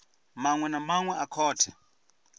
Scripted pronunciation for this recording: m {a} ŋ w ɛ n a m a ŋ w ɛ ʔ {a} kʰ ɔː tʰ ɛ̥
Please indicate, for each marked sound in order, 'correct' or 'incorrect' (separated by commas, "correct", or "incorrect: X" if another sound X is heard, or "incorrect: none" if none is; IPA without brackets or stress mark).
correct, correct